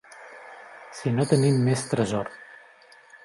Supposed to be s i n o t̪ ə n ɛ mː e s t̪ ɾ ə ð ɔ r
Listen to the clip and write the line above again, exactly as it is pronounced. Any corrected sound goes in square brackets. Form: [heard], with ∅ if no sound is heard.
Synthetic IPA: s i n o t̪ ə n [i] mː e s t̪ ɾ ə [z] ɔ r